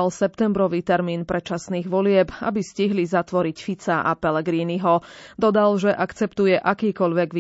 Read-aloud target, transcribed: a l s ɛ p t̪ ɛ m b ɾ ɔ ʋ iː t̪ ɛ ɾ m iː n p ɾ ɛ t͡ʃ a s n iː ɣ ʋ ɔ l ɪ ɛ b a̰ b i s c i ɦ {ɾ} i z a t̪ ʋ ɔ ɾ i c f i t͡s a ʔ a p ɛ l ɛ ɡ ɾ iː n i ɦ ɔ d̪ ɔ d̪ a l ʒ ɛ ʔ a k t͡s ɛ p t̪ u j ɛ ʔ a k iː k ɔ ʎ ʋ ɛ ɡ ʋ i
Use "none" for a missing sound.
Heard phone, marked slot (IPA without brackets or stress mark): l